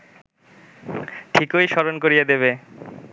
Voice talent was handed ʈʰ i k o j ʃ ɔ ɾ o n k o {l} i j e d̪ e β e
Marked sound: incorrect: ɾ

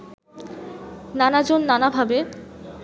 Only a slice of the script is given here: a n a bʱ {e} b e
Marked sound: incorrect: a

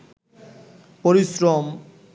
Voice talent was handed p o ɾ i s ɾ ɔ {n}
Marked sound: incorrect: m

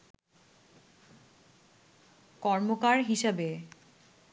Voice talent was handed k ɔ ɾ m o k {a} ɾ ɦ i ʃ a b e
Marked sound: correct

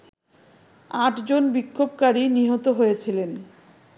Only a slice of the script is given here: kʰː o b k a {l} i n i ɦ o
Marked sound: incorrect: ɾ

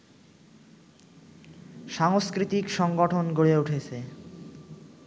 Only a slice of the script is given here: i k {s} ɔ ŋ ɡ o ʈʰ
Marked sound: incorrect: ʃ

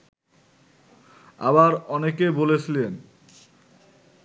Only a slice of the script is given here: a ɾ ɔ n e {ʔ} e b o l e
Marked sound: incorrect: k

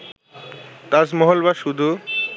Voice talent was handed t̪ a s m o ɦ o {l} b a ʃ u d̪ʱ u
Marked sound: correct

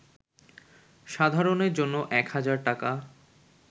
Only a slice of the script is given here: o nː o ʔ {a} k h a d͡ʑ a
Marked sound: incorrect: ɛ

